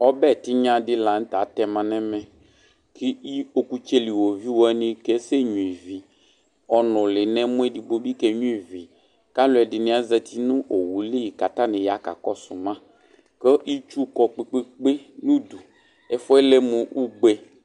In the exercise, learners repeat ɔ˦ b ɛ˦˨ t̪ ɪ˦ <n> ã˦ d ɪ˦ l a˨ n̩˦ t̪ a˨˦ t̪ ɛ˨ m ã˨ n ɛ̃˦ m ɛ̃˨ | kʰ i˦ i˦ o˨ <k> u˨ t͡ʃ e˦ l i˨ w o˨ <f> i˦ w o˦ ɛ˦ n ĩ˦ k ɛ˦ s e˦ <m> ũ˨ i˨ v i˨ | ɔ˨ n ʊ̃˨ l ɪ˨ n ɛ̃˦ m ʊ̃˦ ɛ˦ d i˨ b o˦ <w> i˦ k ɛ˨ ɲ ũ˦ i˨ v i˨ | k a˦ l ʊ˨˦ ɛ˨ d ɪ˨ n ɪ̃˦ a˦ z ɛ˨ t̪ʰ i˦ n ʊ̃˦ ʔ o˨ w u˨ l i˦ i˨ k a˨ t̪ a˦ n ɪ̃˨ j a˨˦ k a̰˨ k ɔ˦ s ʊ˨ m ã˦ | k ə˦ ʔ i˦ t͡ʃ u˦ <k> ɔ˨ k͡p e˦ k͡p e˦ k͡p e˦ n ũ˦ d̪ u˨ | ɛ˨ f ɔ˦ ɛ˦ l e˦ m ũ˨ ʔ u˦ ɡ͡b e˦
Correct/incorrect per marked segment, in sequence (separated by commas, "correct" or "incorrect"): incorrect, correct, incorrect, incorrect, incorrect, correct